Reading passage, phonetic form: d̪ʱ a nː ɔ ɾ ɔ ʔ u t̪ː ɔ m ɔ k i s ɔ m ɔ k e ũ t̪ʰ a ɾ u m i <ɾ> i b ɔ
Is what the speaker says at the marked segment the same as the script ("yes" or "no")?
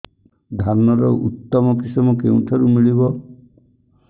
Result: no